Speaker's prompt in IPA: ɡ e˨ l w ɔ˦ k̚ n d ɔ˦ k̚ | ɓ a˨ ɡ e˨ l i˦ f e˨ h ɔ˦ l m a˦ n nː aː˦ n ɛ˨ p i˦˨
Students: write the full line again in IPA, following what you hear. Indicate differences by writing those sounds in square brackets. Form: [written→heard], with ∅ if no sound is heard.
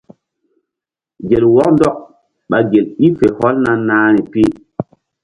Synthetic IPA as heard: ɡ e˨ l w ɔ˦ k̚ n d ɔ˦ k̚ | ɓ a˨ ɡ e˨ l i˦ f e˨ h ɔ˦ l [m→n] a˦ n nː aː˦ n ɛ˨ p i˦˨